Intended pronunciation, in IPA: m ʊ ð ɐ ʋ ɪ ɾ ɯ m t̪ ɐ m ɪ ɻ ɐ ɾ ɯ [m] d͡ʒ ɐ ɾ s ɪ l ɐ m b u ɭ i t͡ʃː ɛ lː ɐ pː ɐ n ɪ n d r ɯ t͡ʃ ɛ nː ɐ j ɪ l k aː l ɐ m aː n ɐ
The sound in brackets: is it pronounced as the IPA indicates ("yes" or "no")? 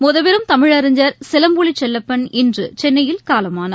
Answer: no